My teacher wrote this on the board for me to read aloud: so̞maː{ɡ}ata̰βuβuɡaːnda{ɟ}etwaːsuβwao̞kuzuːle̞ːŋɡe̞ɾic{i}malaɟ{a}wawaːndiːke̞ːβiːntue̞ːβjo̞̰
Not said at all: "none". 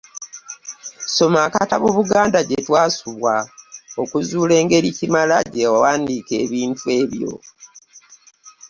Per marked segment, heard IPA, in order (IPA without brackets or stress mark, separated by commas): k, ɟ, i, e